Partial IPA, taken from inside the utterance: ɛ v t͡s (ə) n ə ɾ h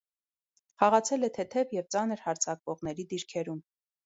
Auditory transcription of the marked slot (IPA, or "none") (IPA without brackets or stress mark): ɑ